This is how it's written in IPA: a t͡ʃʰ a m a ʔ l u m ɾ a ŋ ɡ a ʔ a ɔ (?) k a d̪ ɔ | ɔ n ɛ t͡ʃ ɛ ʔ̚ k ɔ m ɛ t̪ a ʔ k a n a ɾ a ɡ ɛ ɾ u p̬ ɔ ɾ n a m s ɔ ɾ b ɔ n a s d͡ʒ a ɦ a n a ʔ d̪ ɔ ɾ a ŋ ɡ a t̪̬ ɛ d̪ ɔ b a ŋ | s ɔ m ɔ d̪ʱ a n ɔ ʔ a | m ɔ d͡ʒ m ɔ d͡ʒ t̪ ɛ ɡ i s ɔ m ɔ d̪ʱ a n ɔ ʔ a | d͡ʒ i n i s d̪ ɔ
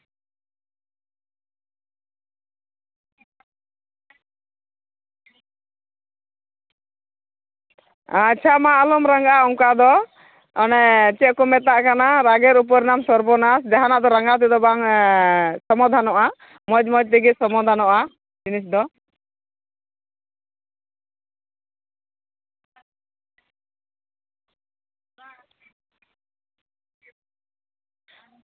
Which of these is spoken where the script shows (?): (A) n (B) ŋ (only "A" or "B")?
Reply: B